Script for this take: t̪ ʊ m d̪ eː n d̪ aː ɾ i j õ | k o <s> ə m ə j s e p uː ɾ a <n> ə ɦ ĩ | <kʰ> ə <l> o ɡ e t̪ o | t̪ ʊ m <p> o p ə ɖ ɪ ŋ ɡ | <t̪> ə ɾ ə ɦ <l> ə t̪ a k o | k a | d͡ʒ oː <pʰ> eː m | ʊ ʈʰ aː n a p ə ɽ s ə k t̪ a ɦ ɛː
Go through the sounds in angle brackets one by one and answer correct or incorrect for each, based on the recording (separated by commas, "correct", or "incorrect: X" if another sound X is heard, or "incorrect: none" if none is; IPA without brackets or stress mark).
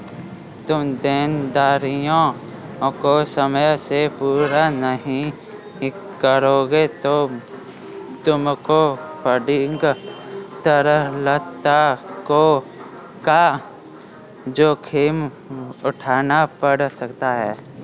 correct, correct, incorrect: k, incorrect: ɾ, incorrect: k, correct, correct, incorrect: kʰ